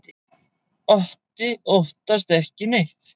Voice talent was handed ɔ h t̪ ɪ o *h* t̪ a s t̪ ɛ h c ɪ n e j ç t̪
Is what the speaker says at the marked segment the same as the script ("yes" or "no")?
yes